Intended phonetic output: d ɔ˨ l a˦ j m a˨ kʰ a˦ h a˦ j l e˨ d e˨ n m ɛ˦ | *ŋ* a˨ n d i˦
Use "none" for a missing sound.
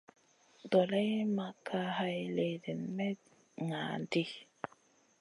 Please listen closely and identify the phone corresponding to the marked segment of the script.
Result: ŋ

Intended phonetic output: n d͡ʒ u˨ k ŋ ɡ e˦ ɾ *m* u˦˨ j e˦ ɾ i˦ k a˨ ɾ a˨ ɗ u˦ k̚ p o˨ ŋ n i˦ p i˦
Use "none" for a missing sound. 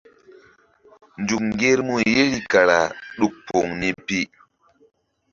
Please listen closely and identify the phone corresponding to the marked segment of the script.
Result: m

